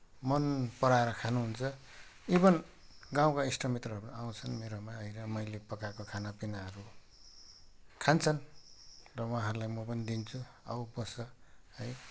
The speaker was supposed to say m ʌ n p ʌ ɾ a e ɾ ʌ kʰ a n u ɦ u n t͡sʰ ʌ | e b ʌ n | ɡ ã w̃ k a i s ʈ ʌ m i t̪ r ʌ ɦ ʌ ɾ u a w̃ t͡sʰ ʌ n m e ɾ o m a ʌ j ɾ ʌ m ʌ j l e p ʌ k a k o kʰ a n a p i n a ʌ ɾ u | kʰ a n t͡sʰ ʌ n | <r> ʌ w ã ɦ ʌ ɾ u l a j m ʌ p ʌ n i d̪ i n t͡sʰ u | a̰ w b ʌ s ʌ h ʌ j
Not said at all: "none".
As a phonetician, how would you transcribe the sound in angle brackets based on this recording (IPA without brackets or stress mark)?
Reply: r